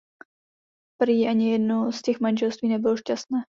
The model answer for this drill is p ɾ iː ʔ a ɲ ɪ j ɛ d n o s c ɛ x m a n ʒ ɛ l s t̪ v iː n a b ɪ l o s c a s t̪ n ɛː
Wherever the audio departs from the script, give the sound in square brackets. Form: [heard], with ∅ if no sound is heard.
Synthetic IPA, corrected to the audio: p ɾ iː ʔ a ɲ ɪ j ɛ d n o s c ɛ x m a n ʒ ɛ l s t̪ v iː n [ɛ] b ɪ l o [ʃ] c a s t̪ n ɛː